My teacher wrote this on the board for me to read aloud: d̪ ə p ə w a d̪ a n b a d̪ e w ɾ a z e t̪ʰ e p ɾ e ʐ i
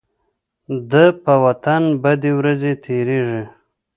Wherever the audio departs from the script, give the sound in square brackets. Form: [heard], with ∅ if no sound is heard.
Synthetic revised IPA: d̪ ə p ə w a [t̪] a n b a d̪ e w ɾ a z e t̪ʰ e [∅] ɾ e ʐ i